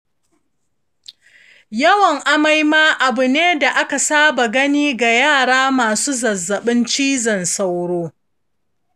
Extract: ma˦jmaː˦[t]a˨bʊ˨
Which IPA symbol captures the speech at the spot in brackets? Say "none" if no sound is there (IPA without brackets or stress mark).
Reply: ʔ